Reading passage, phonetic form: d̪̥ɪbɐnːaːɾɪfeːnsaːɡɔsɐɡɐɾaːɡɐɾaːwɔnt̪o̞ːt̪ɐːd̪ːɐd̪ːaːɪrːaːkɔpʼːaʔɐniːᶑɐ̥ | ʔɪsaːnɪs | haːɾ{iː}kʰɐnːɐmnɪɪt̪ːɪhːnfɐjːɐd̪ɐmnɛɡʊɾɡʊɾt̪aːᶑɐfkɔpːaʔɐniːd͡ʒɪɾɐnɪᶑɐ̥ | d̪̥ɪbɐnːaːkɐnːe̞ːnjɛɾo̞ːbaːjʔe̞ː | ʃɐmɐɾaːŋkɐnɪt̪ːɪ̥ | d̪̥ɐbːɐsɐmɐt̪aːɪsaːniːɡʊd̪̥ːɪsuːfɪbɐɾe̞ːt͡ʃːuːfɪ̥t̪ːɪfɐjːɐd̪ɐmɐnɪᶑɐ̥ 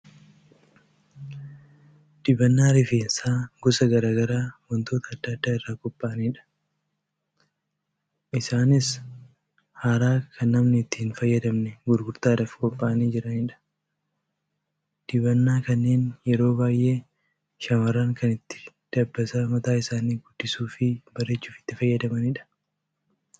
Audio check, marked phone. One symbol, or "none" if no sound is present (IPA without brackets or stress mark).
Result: aː